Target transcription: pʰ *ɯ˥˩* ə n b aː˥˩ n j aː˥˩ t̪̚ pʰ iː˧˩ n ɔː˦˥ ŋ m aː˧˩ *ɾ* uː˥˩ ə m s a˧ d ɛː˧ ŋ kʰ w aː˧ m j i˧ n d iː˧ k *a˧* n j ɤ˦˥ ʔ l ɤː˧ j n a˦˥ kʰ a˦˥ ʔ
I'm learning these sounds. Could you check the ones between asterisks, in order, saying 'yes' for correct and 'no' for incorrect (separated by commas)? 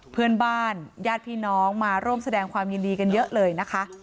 no, yes, yes